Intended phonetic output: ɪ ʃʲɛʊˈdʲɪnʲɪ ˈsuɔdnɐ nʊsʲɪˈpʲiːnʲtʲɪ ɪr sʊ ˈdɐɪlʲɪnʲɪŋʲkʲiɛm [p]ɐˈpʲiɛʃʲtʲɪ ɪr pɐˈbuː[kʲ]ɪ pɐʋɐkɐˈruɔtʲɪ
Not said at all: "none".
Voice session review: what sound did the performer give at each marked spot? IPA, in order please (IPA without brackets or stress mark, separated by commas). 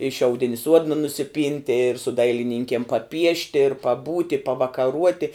p, tʲ